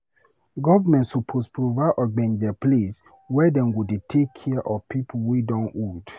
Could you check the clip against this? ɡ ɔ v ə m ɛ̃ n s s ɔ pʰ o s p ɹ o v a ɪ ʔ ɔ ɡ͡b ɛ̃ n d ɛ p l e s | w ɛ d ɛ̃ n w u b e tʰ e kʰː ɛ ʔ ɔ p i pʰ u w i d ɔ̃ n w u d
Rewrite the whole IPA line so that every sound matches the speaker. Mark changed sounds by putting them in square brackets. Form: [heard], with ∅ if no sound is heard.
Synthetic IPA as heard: ɡ ɔ v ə m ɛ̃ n [t] s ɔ pʰ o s p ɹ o v a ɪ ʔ ɔ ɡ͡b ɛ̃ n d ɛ p l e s | w ɛ d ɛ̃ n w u [d] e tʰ e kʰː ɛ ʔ ɔ p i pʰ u w i d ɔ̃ n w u d